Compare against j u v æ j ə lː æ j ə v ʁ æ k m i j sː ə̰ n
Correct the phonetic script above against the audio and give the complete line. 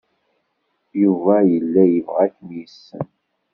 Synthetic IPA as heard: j u v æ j ə lː æ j ə v ʁ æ k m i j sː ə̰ n

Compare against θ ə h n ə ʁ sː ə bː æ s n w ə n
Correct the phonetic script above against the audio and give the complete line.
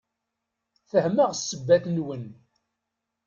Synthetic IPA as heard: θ ə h m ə ʁ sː ə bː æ θ n w ə n

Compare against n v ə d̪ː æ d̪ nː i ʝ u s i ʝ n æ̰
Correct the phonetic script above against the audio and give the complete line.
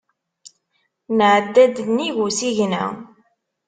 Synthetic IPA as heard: n ʕ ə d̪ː æ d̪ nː i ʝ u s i ʝ n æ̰

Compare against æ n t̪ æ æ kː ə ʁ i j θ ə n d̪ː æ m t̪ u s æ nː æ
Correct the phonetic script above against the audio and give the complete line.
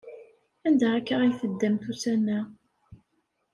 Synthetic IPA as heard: æ n d̪ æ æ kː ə ʁ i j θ ə d̪ː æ m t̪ u s æ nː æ

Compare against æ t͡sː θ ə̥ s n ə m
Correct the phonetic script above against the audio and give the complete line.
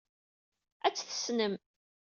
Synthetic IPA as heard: æ t͡sː θ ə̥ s n ə m

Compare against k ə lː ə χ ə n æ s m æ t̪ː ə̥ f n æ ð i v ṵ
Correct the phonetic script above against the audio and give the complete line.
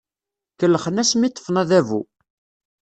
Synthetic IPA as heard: k ə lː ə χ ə n æ s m i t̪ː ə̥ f n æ ð æ v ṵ

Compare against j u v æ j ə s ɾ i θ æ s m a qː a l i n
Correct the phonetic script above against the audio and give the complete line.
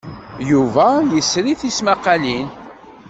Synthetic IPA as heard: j u v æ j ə s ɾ i θ i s m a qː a l i n

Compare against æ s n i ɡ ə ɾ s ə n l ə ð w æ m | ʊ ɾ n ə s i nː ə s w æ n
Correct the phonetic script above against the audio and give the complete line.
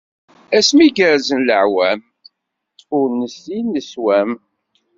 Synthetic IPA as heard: æ s m i ɡ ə ɾ z ə n l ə ʕ w æ m | ʊ ɾ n ə s i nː ə s w æ m

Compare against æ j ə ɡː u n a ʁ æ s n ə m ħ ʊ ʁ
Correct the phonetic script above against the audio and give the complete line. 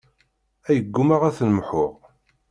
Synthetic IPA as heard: æ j ə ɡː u m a ʁ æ θ n ə m ħ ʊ ʁ

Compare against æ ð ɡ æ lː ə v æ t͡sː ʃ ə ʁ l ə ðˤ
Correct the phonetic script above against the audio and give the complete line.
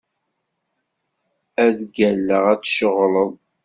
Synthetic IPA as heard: æ ð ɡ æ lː ə ʁ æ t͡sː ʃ ə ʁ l ə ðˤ

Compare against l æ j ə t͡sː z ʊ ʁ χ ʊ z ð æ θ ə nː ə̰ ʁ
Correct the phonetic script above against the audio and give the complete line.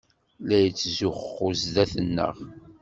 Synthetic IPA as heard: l æ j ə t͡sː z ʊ χ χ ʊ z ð æ θ ə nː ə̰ ʁ

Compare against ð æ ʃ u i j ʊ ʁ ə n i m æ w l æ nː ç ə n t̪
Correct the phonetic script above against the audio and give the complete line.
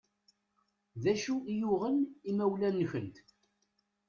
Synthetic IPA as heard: ð æ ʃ u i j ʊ ʁ ə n i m æ w l æ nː ç ə n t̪

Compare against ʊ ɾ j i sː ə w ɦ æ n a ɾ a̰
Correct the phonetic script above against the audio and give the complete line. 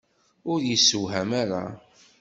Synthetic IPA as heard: ʊ ɾ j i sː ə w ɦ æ m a ɾ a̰

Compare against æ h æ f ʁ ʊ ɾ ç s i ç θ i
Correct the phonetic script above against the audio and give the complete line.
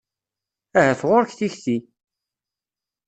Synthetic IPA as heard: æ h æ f ʁ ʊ ɾ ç θ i ç θ i

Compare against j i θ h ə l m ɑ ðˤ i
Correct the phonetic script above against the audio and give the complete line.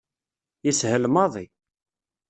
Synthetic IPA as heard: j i s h ə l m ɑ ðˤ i

